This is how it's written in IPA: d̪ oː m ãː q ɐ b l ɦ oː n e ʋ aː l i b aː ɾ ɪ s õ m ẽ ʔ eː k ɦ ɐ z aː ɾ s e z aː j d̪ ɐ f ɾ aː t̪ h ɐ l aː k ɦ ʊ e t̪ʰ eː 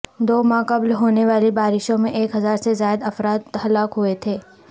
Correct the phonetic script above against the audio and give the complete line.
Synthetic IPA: d̪ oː m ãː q ɐ b l ɦ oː n e ʋ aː l i b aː ɾ ɪ ʃ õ m ẽ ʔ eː k ɦ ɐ z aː ɾ s e z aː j d̪ ɐ f ɾ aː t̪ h ɐ l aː k ɦ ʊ e t̪ʰ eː